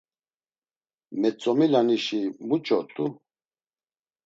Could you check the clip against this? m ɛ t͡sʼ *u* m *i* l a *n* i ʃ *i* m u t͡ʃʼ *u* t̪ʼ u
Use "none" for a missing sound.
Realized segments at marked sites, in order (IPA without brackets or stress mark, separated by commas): ɔ, i, n, i, ɔ